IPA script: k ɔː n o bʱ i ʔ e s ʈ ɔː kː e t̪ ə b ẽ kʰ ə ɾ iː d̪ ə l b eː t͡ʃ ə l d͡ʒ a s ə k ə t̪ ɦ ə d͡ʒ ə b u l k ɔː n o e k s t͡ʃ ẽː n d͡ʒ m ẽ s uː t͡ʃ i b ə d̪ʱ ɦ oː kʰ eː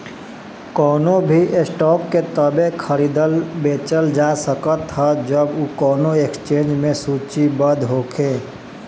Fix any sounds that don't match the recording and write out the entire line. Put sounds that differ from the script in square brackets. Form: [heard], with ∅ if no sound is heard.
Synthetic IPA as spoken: k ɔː n o bʱ i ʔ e s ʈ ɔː kː e t̪ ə b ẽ kʰ ə ɾ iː d̪ ə l b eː t͡ʃ ə l d͡ʒ a s ə k ə t̪ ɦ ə d͡ʒ ə b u [∅] k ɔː n o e k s t͡ʃ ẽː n d͡ʒ m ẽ s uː t͡ʃ i b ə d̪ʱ ɦ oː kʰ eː